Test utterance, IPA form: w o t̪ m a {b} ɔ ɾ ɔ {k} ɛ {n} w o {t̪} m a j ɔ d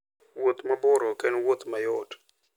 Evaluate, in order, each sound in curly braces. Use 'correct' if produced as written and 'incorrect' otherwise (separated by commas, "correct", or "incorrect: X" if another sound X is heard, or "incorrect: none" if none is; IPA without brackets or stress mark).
correct, correct, correct, correct